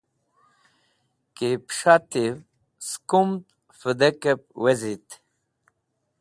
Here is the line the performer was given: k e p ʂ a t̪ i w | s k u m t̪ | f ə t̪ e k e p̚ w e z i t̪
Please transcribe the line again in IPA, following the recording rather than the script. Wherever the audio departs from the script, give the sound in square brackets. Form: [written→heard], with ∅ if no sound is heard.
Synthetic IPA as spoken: k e p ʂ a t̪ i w | s k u m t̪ | f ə [t̪→d̪] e k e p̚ w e z i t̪